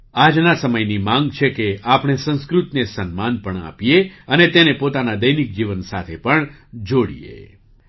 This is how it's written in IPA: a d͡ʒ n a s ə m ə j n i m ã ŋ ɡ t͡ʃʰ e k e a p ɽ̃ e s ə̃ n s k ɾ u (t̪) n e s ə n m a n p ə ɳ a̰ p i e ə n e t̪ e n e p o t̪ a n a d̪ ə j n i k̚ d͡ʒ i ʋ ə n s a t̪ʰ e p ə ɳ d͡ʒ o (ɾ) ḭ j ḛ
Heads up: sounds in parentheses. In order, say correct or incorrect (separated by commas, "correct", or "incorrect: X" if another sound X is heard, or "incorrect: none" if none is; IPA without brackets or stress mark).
correct, incorrect: ɽ